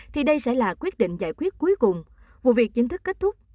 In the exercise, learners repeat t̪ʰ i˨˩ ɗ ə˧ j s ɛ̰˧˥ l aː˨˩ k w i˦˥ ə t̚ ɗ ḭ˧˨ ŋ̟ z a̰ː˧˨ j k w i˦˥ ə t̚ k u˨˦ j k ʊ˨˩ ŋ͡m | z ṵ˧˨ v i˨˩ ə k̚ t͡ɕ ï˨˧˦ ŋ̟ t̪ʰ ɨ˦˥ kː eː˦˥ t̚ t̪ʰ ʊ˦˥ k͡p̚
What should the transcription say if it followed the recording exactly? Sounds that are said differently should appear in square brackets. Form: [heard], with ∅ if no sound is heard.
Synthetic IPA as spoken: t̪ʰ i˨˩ ɗ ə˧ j s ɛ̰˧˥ l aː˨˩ k w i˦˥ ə t̚ ɗ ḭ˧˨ ŋ̟ z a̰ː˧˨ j k w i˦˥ ə t̚ k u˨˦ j k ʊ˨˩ ŋ͡m | [v] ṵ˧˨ v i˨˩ ə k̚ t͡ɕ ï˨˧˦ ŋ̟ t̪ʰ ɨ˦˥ kː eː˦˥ t̚ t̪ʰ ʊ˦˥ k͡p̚